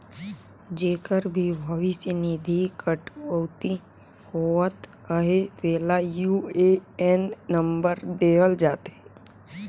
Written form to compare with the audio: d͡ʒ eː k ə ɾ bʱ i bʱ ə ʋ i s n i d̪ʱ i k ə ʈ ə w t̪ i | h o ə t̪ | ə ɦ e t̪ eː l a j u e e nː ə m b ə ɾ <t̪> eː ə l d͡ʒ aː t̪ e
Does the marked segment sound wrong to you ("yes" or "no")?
yes